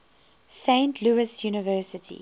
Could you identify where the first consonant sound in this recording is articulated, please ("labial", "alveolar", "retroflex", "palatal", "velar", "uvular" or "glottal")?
alveolar